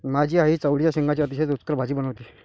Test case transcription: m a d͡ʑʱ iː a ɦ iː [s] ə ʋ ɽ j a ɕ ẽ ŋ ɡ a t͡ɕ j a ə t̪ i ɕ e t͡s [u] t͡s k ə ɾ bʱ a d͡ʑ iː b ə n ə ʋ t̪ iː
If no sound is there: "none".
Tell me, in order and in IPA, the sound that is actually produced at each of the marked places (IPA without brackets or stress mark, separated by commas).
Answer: t͡s, u